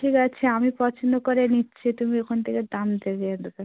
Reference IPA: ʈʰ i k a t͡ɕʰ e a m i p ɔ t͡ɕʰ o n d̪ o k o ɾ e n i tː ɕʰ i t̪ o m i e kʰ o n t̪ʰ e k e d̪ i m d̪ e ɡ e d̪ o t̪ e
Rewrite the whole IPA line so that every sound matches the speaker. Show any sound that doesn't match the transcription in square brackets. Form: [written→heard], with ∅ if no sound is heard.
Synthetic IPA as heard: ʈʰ i k a t͡ɕʰ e a m i p ɔ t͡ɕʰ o n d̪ o k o ɾ e n i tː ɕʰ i t̪ [o→u] m i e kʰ o n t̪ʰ e k e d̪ [i→a] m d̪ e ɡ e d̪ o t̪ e